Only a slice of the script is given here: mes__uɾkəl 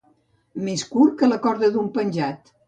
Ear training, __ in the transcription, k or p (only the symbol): k